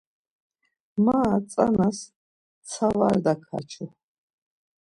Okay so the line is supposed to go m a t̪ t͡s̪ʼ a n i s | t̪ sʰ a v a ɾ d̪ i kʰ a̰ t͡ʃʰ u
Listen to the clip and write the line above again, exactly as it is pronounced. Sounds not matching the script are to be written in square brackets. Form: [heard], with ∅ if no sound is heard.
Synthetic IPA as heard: m a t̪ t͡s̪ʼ a n [a] s | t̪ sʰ a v a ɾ d̪ [a] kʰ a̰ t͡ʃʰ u